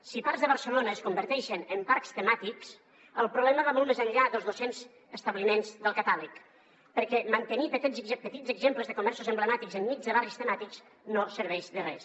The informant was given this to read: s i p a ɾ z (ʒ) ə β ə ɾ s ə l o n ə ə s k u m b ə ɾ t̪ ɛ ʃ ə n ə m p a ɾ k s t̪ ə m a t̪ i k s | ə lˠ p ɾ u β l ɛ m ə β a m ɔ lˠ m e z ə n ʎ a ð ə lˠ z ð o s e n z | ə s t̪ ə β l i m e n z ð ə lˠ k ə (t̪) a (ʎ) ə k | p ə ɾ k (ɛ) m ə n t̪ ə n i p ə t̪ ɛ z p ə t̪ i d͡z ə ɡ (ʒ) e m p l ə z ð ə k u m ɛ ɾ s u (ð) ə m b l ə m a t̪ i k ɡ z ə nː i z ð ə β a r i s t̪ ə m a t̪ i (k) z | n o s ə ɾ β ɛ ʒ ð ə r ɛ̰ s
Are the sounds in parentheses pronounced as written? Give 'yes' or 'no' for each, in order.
no, yes, no, yes, no, no, yes

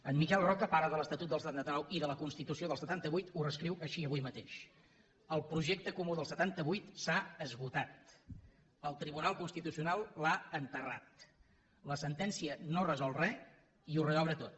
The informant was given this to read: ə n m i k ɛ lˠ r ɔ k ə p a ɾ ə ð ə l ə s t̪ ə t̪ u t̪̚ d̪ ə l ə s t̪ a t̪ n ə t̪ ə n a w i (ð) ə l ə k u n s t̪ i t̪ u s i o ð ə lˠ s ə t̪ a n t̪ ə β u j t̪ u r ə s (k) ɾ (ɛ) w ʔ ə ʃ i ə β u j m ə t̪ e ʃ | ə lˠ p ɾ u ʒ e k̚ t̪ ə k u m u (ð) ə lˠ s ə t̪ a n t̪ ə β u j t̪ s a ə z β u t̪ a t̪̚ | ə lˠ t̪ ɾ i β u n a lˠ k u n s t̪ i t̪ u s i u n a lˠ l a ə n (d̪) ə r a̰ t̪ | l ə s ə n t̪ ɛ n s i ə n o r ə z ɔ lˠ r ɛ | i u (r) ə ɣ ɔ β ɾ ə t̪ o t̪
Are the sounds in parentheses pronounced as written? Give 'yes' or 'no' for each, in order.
yes, yes, no, yes, no, yes

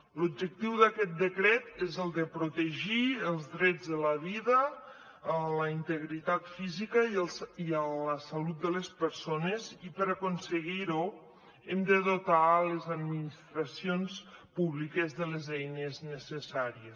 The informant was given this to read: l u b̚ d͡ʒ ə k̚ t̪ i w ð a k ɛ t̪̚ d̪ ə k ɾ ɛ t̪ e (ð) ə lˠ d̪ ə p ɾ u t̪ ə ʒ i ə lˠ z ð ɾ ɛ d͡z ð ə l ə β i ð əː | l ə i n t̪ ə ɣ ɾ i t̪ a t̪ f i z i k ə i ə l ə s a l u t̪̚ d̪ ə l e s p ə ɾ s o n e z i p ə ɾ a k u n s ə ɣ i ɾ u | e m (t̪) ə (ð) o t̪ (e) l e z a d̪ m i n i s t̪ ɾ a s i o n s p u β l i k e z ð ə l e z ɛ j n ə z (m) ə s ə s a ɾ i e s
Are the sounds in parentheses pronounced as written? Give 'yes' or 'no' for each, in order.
no, no, yes, no, no

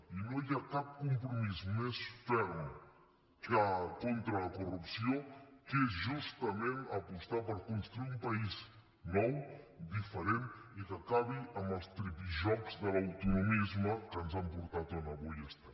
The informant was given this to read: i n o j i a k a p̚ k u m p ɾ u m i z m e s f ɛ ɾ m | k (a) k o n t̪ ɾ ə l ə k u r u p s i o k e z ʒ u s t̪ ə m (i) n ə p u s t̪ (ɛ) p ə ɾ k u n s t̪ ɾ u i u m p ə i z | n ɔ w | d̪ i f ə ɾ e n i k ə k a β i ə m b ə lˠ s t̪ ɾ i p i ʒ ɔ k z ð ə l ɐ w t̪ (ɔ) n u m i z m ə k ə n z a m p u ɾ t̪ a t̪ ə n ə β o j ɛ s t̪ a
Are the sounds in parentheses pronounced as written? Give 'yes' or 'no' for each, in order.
yes, no, no, no

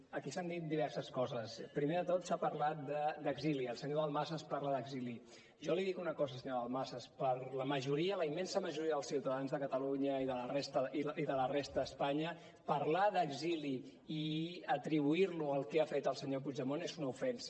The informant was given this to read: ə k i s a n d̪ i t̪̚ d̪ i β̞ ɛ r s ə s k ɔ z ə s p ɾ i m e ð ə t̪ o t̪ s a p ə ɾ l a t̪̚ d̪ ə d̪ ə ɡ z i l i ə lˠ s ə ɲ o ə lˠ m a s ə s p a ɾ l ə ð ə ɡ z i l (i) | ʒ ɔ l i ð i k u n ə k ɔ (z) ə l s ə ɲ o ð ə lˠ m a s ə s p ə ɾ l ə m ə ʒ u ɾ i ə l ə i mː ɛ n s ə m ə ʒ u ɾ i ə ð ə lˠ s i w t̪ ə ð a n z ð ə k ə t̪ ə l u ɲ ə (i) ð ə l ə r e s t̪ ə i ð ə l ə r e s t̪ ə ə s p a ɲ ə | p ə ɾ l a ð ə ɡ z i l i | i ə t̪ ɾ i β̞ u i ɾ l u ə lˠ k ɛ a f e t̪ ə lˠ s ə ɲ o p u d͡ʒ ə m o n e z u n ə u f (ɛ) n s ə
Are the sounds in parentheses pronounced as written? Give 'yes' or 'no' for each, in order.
yes, yes, yes, yes

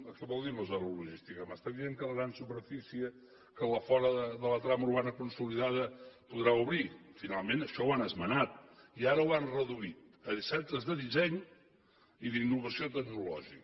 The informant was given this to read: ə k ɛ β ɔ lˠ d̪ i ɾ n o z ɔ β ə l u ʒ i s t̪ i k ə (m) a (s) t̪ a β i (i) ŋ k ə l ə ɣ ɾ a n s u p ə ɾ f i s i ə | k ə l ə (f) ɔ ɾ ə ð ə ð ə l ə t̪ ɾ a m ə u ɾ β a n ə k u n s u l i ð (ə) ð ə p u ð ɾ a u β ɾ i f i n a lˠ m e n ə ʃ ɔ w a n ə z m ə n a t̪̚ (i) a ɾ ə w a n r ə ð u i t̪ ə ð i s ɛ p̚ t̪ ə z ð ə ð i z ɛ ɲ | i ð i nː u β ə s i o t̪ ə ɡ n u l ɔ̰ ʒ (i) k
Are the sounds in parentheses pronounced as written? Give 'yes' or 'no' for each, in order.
yes, yes, no, yes, no, yes, yes

